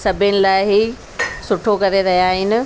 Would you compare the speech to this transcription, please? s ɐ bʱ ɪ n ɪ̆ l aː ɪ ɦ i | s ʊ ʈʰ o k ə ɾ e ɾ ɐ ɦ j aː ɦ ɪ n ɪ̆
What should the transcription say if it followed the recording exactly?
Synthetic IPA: s ɐ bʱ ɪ n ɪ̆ l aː ɪ ɦ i | s ʊ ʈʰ o k ɐ ɾ e ɾ ɐ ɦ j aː ɦ ɪ n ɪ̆